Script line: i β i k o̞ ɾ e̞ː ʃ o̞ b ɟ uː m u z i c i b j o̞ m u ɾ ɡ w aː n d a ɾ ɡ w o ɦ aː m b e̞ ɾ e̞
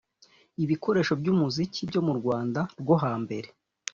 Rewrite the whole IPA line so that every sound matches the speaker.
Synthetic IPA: i β i k o̞ ɾ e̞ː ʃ o̞ b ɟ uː m u z i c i b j o̞ m u ɾ ɡ w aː n d a ɾ ɡ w o ɦ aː m b e̞ ɾ e̞